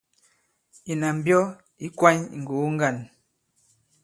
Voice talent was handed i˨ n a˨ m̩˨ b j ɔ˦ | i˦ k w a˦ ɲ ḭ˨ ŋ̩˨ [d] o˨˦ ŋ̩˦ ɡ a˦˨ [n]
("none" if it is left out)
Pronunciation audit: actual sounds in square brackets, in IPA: ɡ, n

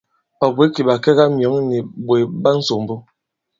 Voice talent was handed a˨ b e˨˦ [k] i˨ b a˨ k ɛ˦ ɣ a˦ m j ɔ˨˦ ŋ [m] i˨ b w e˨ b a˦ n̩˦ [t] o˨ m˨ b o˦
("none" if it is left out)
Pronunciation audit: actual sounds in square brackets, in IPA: k, n, s

